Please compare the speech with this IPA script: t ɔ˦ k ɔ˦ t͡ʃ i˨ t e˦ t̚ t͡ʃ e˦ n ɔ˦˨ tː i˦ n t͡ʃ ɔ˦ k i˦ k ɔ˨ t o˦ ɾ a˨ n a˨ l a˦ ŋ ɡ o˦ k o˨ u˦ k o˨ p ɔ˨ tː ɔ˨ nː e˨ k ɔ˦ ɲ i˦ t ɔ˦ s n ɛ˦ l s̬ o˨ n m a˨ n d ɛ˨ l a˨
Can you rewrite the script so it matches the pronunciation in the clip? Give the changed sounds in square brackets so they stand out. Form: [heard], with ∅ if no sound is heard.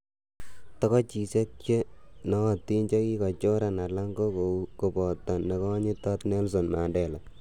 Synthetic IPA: t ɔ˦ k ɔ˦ t͡ʃ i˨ [s] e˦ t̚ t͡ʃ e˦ n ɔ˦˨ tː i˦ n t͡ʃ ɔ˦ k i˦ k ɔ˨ [t͡ʃ] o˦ ɾ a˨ n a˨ l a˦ ŋ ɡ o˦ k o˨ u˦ k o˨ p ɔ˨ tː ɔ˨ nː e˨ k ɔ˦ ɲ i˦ t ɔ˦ [t] n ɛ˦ l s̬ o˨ n m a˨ n d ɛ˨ l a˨